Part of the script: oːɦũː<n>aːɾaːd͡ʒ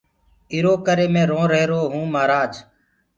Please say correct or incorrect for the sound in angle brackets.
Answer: incorrect: m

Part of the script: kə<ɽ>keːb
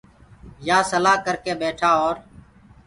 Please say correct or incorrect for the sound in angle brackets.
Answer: incorrect: ɾ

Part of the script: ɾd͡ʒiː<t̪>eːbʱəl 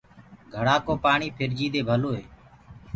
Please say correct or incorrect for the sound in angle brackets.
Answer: incorrect: d̪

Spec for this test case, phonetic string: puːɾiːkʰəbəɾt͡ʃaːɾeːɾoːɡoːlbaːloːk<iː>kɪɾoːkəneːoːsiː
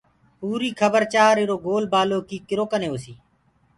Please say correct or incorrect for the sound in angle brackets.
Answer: correct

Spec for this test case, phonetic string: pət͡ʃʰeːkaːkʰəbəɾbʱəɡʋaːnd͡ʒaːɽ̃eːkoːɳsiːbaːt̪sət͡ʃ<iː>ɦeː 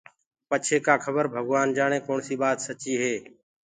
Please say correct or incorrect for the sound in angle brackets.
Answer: correct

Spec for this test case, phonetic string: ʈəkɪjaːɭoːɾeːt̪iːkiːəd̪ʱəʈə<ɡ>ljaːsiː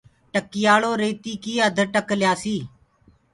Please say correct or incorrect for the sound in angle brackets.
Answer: incorrect: k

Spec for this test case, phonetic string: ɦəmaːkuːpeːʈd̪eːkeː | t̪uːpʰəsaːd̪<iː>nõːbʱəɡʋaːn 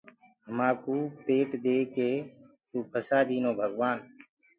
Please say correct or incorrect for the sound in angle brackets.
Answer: correct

